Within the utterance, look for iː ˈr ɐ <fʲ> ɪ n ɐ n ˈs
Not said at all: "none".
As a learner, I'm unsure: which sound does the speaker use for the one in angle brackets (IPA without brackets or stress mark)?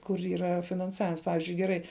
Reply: fʲ